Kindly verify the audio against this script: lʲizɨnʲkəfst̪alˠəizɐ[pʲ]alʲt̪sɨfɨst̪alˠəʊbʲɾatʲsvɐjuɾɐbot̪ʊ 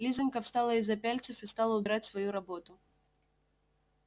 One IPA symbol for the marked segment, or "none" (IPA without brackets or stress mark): pʲ